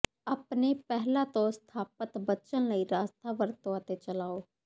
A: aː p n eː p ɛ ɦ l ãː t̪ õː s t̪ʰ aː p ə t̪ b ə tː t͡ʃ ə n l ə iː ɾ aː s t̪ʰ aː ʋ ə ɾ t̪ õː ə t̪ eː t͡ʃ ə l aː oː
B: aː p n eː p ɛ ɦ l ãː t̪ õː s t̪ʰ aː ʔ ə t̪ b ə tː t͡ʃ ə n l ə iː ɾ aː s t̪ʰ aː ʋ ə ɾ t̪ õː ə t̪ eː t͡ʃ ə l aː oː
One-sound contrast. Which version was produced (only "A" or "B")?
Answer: A